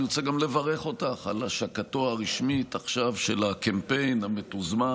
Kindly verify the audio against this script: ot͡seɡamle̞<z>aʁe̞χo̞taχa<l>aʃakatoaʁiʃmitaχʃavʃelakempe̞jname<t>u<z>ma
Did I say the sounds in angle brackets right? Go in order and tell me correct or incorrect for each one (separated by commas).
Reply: incorrect, correct, correct, correct